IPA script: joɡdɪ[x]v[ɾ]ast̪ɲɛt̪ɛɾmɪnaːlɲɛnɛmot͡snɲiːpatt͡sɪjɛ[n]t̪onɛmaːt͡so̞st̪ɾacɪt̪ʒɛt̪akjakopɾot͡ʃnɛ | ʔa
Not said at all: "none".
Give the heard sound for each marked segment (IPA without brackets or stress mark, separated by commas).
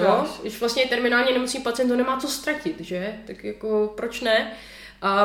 ʃ, l, n